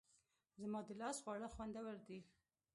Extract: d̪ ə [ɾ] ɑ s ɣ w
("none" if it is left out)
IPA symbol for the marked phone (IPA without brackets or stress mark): l